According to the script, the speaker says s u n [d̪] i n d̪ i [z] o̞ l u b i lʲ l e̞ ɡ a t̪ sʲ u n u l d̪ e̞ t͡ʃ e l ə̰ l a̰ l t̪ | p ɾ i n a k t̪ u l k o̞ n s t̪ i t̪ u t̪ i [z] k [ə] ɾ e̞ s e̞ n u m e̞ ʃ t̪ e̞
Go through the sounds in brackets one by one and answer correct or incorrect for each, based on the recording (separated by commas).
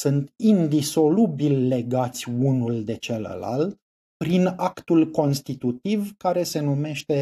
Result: incorrect, incorrect, incorrect, incorrect